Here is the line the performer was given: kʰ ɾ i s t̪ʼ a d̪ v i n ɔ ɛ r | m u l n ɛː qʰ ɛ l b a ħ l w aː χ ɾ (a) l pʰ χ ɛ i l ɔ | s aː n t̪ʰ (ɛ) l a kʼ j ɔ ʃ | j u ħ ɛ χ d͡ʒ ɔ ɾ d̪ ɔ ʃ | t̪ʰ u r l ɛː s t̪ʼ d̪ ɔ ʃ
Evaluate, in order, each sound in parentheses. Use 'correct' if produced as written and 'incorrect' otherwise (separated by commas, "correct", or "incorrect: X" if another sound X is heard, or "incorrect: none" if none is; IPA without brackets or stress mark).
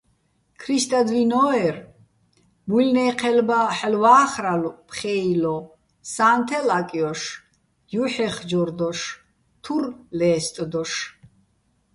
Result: correct, correct